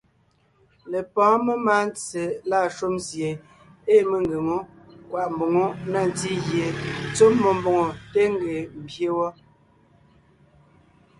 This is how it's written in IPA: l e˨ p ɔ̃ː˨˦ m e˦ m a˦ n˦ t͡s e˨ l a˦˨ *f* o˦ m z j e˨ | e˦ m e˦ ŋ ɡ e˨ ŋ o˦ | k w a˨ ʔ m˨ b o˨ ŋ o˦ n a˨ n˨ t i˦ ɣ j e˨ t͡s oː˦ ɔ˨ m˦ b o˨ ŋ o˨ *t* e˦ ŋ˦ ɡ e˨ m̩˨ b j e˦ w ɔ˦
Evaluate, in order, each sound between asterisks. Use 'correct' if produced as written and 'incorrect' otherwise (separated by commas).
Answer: incorrect, correct